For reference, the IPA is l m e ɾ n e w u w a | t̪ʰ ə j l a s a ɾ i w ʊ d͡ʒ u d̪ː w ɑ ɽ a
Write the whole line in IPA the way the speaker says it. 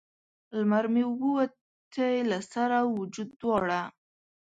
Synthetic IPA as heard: l m a ɾ m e w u w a | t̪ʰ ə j l a s a ɾ a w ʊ d͡ʒ u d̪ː w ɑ ɽ a

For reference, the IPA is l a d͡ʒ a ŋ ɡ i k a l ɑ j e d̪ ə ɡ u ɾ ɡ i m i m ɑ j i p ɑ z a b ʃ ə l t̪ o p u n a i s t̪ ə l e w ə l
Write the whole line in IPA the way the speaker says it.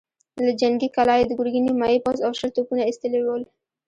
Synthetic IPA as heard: l a d͡ʒ a ŋ ɡ i k a l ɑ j e d̪ ə ɡ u ɾ ɡ i n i m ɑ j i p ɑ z a w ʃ ə l t̪ o p u n a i s t̪ ə l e w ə l

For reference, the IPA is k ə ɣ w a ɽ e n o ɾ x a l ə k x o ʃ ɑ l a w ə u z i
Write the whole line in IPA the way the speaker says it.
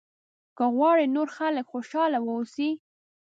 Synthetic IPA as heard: k ə ɣ w ɑ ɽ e n o ɾ x a l ə k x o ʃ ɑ l a w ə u s i

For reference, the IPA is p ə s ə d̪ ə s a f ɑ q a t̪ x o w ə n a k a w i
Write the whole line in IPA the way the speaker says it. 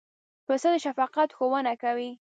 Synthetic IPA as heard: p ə s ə d̪ ə ʃ a f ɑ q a t̪ x o w ə n a k a w i

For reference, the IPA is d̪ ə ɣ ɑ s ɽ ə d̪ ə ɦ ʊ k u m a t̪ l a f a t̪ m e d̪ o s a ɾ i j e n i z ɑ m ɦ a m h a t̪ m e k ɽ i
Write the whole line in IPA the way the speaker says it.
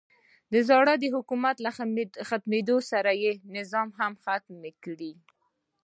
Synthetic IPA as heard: d̪ ə z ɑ ɽ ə d̪ ə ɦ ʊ k u m a t̪ l a x a t̪ m e d̪ o s a ɾ a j e n ɪ z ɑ m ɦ a m x a t̪ m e k ɽ i

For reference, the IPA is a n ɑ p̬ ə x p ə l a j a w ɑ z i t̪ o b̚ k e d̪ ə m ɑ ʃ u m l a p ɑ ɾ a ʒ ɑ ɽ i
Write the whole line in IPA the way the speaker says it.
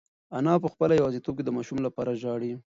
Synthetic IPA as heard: a n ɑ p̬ ə x p ə l a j a w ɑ z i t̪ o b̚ k e d̪ ə m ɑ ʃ u m l a p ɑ ɾ a ʒ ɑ ɽ i

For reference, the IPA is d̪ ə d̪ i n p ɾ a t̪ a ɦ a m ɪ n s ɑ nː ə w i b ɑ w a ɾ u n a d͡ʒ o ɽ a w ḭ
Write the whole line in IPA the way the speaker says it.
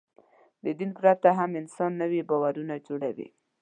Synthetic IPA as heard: d̪ ə d̪ i n p ɾ a t̪ a ɦ a m ɪ n s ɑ nː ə w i b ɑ w a ɾ u n a d͡ʒ o ɽ a w ḭ

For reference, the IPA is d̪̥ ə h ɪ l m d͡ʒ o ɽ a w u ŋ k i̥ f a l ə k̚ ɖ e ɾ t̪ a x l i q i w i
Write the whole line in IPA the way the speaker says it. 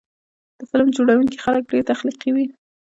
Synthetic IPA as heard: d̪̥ ə f ɪ l m d͡ʒ o ɽ a w u ŋ k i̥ x a l ə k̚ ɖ e ɾ t̪ a x l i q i w i

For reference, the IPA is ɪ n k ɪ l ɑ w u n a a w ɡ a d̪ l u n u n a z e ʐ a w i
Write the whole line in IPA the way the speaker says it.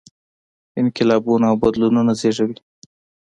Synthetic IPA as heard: ɪ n k ɪ l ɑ b u n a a w b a d̪ l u n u n a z e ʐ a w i

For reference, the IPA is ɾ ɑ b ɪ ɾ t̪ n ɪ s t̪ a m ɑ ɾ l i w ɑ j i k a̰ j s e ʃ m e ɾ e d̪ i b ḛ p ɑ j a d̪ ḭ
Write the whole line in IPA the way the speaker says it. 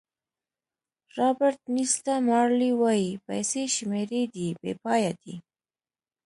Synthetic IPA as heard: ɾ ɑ b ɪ ɾ t̪ n i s t̪ a m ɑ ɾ l i w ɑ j i p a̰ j s e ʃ m e ɾ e d̪ i b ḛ p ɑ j a d̪ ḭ

